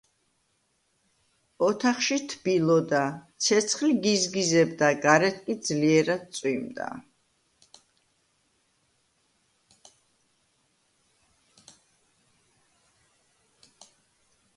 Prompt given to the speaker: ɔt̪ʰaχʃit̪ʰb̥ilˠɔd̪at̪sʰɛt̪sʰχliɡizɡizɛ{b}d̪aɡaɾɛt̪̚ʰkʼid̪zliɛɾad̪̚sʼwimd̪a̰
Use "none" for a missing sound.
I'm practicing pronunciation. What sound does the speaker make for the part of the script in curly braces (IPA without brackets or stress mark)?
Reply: b